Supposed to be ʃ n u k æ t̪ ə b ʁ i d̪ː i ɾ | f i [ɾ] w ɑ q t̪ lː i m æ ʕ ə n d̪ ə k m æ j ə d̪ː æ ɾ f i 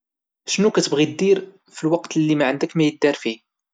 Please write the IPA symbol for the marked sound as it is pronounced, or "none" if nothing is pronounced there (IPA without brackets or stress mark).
l